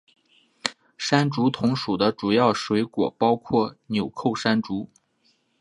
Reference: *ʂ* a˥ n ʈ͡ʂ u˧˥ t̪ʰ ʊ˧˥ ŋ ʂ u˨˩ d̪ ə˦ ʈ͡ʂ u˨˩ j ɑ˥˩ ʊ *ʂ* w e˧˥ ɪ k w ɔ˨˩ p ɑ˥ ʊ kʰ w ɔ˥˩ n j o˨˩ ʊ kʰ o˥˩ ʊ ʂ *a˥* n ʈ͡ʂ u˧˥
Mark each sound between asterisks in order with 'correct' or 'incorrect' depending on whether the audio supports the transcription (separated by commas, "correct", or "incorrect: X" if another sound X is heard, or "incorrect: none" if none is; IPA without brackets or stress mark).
correct, correct, correct